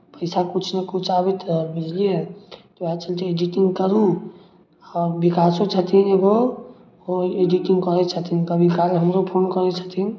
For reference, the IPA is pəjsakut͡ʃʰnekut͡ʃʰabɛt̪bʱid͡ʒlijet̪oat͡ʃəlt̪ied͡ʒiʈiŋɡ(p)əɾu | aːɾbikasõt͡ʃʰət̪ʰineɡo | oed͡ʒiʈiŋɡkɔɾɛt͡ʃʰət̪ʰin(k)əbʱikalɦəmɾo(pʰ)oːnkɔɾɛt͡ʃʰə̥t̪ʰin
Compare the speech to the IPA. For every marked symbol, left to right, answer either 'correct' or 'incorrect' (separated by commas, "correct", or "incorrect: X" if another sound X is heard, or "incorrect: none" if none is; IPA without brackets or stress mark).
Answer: incorrect: k, correct, correct